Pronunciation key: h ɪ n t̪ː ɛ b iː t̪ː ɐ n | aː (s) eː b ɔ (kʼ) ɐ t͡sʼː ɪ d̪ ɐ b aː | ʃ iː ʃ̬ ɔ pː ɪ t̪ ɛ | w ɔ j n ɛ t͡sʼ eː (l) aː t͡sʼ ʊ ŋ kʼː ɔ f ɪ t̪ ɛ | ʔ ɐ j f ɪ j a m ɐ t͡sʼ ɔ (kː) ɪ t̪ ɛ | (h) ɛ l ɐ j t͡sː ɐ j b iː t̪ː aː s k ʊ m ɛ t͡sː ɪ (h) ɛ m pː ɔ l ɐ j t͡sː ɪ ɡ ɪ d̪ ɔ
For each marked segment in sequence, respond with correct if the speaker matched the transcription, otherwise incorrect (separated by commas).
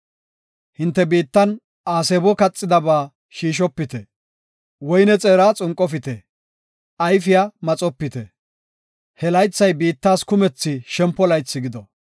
correct, incorrect, incorrect, incorrect, correct, incorrect